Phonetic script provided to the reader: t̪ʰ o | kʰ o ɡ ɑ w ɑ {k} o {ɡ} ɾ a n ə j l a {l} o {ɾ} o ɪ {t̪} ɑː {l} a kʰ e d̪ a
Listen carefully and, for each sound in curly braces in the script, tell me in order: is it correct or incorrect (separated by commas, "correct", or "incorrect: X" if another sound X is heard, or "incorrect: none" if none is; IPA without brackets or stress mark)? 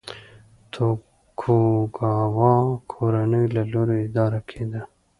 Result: incorrect: kʰ, incorrect: none, correct, correct, incorrect: d̪, incorrect: ɾ